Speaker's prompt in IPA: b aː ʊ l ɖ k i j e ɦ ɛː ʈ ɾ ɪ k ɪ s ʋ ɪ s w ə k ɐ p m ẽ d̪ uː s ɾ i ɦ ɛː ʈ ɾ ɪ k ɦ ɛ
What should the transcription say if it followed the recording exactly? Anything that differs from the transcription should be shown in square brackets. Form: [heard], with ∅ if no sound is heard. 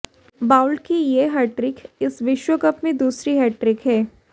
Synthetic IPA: b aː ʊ l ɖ k i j e ɦ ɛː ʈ ɾ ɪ k ɪ s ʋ ɪ [ʃ] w ə k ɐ p m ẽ d̪ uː s ɾ i ɦ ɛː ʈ ɾ ɪ k ɦ [ɛː]